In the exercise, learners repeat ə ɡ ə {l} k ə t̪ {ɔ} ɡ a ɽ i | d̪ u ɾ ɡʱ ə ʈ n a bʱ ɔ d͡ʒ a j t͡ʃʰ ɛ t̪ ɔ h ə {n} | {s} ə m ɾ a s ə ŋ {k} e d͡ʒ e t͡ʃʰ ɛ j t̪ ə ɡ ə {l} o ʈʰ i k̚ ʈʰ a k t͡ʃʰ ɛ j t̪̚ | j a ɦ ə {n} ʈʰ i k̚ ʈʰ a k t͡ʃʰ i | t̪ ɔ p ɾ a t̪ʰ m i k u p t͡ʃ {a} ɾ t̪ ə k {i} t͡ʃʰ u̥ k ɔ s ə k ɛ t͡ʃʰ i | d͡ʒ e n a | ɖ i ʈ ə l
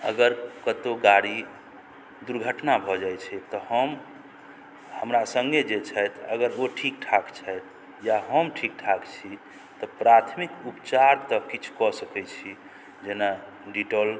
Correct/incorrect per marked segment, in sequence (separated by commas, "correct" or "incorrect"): incorrect, incorrect, incorrect, incorrect, incorrect, incorrect, incorrect, correct, correct